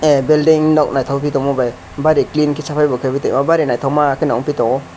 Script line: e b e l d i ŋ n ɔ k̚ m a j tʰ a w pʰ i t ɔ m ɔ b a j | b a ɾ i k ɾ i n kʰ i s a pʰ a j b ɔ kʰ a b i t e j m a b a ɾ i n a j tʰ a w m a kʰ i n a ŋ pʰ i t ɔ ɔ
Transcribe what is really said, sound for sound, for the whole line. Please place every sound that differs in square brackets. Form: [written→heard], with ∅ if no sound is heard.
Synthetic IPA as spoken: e b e l d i ŋ n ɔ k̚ [m→n] a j tʰ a w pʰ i t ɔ m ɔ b a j | b a ɾ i k [ɾ→l] i n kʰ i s a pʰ a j b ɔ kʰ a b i t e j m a b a ɾ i n a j tʰ a w m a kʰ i n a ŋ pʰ i t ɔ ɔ